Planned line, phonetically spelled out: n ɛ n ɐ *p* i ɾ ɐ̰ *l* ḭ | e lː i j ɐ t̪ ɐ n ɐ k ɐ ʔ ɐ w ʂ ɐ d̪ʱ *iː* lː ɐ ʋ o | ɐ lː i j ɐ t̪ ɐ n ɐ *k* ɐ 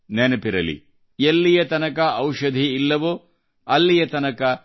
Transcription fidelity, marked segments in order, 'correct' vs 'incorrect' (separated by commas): correct, correct, correct, correct